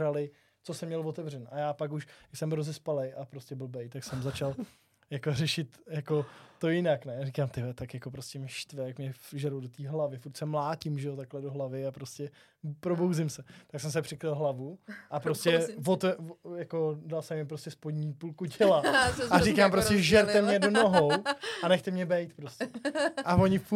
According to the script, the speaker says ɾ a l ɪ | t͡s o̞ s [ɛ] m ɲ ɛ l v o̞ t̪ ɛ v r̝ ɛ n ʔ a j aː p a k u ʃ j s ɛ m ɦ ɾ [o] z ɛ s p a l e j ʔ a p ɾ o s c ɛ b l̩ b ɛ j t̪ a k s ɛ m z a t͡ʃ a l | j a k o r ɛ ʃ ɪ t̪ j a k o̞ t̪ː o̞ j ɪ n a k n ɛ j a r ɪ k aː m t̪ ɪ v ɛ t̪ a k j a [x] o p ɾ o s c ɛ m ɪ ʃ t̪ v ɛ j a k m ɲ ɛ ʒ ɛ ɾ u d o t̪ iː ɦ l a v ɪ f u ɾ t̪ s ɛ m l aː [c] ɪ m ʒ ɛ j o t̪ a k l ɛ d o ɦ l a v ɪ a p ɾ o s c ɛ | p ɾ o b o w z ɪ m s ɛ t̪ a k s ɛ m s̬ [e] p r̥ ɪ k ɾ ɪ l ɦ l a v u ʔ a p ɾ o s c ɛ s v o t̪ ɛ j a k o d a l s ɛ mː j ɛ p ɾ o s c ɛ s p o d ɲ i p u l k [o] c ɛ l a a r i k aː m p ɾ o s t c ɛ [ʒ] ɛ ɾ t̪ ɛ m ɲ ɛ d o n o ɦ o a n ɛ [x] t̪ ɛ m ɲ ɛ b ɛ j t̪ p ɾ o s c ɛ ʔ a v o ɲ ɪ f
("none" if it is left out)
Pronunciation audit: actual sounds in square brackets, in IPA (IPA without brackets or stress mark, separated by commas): ɛ, o, k, c, ɛ, u, ʒ, x